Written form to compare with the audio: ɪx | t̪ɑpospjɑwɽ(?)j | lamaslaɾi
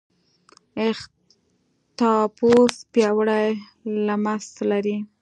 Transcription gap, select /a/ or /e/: a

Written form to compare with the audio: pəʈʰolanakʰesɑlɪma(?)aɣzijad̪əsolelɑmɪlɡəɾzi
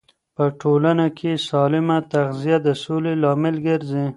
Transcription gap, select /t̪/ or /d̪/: t̪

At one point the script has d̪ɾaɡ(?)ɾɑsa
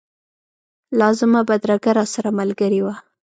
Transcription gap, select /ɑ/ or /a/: a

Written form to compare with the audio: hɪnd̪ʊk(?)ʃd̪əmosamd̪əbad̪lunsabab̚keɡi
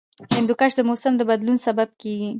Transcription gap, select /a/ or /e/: a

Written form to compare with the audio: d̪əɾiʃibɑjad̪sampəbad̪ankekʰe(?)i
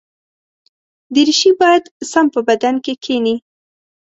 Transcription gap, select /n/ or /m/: n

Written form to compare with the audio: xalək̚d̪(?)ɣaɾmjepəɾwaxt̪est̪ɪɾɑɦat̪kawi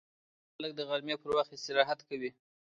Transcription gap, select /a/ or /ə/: ə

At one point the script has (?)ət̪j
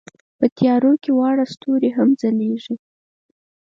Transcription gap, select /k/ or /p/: p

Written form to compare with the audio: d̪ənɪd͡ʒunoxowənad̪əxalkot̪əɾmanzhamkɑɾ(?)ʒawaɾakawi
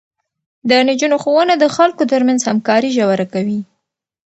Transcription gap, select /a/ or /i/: i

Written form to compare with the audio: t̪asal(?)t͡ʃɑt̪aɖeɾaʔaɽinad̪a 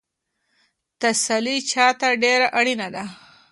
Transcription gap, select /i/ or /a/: i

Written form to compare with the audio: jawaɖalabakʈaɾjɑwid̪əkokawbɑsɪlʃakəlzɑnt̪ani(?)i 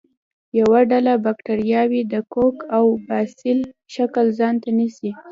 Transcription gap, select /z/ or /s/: s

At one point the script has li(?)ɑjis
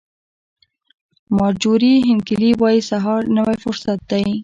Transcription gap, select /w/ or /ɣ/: w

